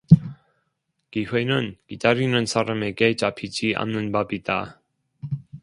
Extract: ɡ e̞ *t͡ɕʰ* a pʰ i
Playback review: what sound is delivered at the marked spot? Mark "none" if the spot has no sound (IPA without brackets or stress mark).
t͡ɕ